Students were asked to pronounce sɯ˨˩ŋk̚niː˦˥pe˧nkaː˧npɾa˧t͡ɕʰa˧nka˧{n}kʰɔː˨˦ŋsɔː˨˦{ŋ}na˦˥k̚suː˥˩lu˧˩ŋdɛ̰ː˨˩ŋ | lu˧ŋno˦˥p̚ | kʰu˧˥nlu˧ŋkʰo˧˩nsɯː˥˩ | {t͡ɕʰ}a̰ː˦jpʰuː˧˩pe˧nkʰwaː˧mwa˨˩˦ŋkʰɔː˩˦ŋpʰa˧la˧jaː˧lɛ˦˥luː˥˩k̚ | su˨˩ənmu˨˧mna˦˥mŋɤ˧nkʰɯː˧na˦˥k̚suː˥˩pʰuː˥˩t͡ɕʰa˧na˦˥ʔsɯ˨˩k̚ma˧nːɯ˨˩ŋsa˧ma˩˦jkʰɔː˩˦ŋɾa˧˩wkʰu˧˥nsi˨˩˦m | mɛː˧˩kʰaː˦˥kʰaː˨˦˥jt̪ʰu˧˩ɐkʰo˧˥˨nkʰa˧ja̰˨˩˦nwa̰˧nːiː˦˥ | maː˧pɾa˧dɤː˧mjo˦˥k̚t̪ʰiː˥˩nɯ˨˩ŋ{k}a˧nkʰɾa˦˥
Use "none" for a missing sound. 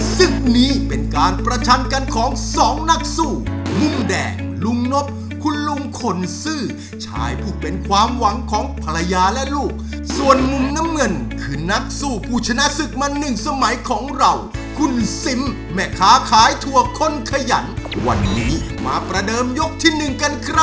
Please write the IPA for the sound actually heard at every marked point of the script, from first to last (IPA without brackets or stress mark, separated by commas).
n, ŋ, t͡ɕʰ, k